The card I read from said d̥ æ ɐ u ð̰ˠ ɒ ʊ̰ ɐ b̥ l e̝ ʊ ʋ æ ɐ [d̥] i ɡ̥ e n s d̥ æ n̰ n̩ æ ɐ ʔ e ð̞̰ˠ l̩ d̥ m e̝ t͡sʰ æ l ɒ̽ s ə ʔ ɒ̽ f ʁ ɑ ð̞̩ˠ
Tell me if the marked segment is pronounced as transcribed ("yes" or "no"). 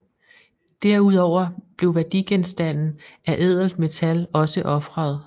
yes